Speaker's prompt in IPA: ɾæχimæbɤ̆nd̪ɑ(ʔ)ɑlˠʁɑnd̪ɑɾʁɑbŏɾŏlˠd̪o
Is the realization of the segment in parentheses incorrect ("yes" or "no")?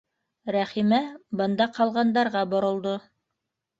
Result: yes